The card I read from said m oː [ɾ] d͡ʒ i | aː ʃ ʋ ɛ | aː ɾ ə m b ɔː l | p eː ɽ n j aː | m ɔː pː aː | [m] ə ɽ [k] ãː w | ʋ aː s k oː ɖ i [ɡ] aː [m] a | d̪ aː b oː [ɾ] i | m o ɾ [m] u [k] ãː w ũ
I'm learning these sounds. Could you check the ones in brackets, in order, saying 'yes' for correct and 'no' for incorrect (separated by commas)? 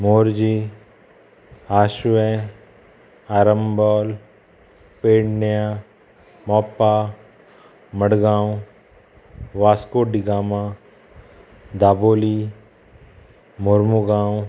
yes, yes, no, yes, yes, no, yes, no